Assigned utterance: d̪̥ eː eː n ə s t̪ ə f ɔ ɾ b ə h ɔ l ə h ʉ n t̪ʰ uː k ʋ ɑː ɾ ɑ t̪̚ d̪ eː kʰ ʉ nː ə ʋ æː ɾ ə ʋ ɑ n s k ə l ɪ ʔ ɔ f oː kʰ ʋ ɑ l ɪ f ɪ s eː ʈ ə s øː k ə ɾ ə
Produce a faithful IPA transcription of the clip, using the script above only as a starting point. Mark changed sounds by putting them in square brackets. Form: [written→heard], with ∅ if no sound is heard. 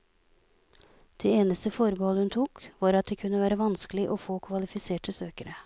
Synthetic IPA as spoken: d̪̥ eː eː n ə s t̪ ə f ɔ ɾ b ə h ɔ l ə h ʉ n t̪ʰ uː k ʋ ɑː ɾ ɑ t̪̚ d̪ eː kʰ ʉ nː ə ʋ æː ɾ ə ʋ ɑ n s k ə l ɪ ʔ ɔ f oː kʰ ʋ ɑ l ɪ f ɪ s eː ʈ ə s øː k ə ɾ ə